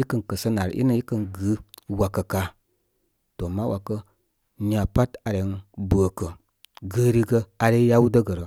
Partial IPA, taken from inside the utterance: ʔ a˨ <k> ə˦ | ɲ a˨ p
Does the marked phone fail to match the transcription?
no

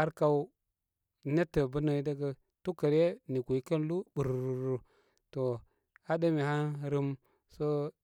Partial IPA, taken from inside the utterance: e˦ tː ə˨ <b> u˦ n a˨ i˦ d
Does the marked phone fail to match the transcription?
no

